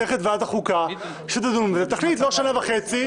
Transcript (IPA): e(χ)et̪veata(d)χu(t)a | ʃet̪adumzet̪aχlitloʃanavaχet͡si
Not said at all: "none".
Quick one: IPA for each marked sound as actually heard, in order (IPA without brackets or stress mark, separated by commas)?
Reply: χ, none, k